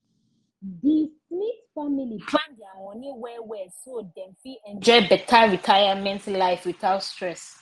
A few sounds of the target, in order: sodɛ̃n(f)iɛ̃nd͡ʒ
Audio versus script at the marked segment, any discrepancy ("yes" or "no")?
no